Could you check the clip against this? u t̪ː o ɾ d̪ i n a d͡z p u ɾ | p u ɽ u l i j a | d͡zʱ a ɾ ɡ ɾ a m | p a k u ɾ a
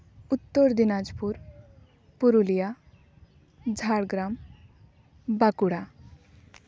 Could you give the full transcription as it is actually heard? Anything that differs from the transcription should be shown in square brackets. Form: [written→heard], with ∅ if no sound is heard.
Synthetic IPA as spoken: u t̪ː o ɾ d̪ i n a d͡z p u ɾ | p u [ɽ→ɾ] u l i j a | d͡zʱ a [ɾ→ɽ] ɡ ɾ a m | [p→b] a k u [ɾ→ɽ] a